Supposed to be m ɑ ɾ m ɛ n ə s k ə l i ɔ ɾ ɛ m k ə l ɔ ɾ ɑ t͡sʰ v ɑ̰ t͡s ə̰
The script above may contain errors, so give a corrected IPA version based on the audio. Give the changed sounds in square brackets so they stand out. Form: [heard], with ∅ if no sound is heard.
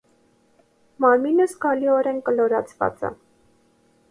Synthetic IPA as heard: m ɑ ɾ m [i] n ə s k [ɑ] l i ɔ ɾ ɛ [n] k ə l ɔ ɾ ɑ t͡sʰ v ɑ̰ t͡s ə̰